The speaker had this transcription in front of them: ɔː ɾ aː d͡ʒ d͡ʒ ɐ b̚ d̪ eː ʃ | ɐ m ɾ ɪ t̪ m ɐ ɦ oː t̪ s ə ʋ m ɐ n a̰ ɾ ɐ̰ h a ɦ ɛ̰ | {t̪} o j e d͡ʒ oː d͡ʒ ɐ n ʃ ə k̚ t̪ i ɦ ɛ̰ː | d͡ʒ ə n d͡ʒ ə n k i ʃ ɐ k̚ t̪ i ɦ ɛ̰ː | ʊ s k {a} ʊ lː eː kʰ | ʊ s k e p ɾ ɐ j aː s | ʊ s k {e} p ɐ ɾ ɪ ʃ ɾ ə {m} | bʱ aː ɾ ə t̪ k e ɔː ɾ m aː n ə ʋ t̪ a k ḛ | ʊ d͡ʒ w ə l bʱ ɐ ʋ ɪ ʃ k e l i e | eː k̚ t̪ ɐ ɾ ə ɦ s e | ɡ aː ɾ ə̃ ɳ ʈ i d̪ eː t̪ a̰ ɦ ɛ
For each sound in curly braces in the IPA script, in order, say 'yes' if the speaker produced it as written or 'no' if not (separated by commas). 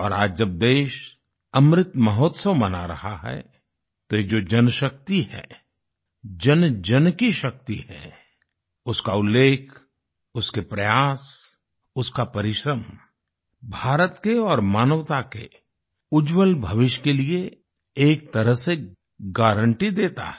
yes, yes, no, yes